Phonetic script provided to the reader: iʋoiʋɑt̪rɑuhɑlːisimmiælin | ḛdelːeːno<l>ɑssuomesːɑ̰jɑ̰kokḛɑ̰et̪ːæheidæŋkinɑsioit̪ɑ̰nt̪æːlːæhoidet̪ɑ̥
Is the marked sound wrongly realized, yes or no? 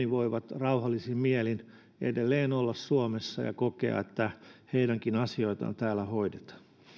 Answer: yes